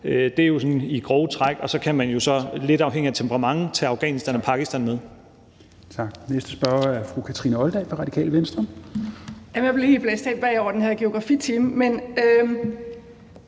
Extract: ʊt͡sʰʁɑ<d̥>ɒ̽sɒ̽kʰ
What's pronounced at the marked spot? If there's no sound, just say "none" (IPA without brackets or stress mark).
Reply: ɡ̥